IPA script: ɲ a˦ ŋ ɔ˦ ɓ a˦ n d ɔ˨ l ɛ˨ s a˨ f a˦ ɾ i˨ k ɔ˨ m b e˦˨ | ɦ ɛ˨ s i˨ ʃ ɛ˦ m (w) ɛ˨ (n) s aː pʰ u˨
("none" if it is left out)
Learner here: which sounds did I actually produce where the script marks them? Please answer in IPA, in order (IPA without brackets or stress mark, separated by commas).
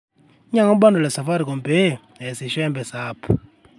b, none